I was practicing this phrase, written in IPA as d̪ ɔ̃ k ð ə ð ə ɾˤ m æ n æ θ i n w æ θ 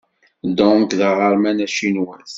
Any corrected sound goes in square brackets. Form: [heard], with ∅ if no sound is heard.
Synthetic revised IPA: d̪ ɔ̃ k ð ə [ʁ] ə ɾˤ m æ n æ [ʃ] i n w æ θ